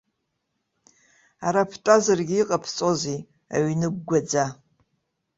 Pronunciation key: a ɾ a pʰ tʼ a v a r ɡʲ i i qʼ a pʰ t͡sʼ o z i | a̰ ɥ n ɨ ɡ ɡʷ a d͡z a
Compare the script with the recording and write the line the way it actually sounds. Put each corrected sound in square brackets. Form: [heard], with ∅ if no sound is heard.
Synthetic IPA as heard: a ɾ a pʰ tʼ a [z] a r ɡʲ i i qʼ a pʰ t͡sʼ o z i | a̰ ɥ n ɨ ɡ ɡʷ a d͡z a